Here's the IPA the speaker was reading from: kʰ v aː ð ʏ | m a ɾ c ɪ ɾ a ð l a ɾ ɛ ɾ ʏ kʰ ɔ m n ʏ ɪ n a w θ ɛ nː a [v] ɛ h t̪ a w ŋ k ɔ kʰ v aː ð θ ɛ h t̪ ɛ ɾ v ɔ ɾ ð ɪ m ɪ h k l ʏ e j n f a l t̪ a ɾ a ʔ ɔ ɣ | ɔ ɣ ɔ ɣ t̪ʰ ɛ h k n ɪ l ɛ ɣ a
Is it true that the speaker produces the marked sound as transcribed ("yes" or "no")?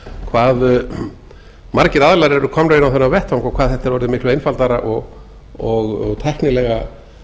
yes